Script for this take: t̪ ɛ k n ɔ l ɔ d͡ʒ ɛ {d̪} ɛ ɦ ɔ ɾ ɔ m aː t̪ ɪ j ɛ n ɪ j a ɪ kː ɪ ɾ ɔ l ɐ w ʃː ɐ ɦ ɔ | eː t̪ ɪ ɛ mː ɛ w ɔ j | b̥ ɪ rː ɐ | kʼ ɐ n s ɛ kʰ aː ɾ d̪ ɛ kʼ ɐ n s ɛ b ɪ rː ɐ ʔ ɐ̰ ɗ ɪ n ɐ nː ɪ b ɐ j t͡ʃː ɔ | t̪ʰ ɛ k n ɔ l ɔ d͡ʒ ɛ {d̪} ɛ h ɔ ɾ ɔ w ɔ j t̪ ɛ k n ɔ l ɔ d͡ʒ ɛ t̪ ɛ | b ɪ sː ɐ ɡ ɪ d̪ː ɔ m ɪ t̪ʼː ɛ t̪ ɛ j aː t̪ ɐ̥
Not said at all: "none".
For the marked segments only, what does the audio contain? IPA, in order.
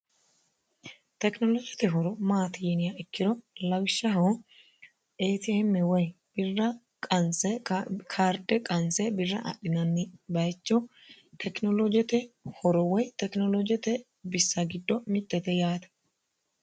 t̪, t̪

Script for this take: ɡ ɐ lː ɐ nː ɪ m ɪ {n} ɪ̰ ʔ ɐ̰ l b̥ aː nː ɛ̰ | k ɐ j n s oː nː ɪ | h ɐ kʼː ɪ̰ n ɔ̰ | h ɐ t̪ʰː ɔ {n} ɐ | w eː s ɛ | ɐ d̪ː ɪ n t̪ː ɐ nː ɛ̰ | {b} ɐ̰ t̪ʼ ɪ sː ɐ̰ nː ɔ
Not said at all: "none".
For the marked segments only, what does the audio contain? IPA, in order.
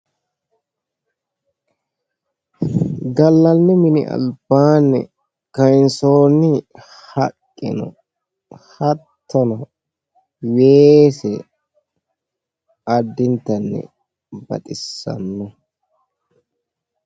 n, n, b

